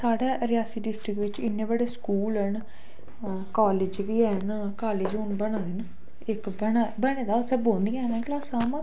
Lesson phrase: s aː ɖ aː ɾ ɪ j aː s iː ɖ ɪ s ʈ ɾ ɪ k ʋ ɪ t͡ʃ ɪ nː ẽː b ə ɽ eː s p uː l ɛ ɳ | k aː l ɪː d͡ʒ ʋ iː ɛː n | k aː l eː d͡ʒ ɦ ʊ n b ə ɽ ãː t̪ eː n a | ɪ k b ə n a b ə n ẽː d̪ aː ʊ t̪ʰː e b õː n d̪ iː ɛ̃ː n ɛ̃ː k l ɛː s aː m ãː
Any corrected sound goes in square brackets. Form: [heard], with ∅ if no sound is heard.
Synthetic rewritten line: s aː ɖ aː ɾ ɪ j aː s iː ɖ ɪ s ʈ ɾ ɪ k ʋ ɪ t͡ʃ ɪ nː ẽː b ə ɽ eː s [k] uː l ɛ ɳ | k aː l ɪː d͡ʒ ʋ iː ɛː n | k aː l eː d͡ʒ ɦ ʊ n b ə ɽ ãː [d̪] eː n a | ɪ k b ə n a b ə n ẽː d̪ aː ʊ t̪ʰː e b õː n d̪ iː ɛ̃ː n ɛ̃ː k l [aː] s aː m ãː